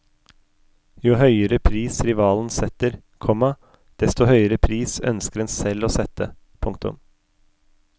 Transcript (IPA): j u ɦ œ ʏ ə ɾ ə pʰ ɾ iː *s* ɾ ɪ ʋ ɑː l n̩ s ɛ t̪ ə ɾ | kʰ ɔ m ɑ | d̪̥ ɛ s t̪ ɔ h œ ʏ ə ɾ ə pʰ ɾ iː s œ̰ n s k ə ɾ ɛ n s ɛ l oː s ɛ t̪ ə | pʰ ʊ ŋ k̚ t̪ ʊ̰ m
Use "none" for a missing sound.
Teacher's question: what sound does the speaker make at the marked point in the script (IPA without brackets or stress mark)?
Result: s